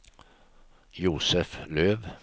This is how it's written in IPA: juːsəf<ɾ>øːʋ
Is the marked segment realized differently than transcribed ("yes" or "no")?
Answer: yes